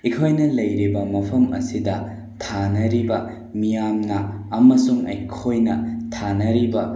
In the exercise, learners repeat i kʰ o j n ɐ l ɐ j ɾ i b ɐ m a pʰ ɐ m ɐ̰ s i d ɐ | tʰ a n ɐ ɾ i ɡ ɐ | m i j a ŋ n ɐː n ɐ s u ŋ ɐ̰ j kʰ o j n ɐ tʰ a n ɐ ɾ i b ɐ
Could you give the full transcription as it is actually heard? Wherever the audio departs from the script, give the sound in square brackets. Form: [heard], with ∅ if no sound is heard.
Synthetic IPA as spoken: i kʰ o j n ɐ l ɐ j ɾ i b ɐ m [ɐ] pʰ ɐ m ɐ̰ s i d ɐ | tʰ a n ɐ ɾ i [b] ɐ | m i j a [m] n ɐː [m] ɐ s u ŋ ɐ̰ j kʰ o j n ɐ tʰ a n ɐ ɾ i b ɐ